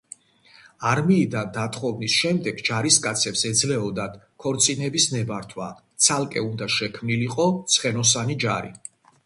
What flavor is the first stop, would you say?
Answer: plain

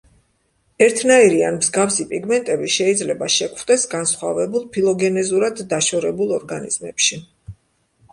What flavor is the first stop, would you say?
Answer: aspirated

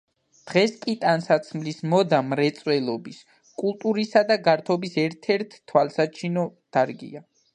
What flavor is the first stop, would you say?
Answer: plain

